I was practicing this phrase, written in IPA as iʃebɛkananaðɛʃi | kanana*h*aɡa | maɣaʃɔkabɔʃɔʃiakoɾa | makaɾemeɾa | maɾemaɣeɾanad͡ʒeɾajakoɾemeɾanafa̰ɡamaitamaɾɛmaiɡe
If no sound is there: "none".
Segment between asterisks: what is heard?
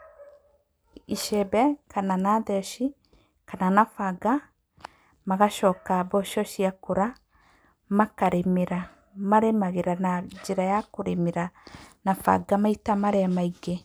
f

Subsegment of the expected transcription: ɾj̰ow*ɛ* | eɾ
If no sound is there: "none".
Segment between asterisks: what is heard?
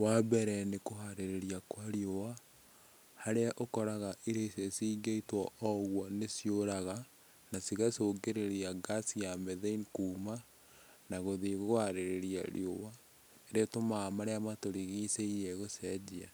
a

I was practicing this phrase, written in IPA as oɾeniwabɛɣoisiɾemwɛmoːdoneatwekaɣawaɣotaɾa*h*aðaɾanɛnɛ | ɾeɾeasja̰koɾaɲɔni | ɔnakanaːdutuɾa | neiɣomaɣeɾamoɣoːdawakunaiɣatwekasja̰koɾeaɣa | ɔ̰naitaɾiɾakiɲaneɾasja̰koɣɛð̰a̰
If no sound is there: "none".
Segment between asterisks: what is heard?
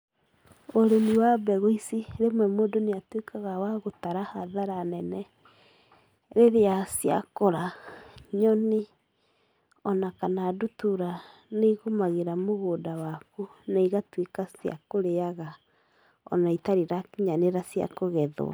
h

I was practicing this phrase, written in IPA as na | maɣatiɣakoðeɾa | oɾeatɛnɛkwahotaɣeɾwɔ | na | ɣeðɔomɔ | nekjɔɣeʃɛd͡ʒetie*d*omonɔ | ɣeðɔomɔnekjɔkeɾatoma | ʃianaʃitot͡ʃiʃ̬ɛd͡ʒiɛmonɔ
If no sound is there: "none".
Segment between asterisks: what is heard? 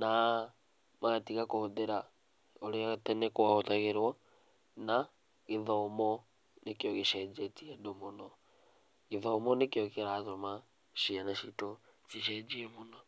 d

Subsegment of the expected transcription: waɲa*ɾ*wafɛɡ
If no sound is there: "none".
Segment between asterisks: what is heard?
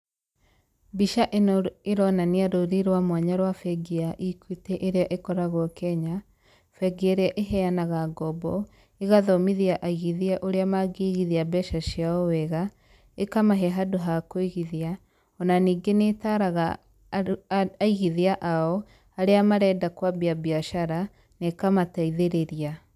ɾ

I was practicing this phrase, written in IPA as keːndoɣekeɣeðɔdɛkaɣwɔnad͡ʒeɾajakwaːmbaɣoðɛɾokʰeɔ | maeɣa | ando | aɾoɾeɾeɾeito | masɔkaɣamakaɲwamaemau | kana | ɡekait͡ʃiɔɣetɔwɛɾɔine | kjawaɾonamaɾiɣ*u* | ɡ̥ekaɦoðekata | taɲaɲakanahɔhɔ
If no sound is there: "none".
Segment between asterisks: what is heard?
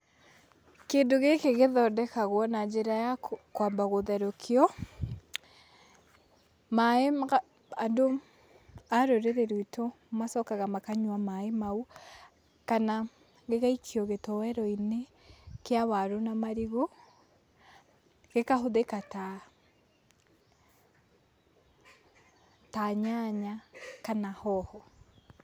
o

